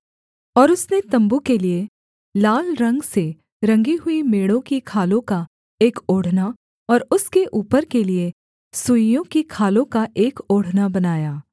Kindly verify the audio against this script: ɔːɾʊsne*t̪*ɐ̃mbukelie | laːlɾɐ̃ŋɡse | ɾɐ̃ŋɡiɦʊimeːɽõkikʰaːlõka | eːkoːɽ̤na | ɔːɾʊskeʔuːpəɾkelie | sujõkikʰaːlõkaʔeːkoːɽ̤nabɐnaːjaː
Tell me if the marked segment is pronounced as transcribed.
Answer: yes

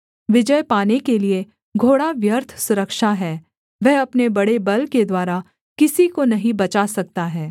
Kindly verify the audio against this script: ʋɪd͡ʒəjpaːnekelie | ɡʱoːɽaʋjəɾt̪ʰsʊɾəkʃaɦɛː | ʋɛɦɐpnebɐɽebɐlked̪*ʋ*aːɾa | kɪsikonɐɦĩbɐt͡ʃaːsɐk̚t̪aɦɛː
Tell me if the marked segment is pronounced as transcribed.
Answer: no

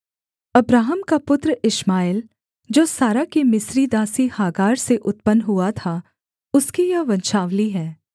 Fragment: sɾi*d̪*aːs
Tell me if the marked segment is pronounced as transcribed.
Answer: yes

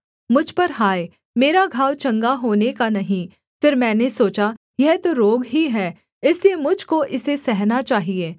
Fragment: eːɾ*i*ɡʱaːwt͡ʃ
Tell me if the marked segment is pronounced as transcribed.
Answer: no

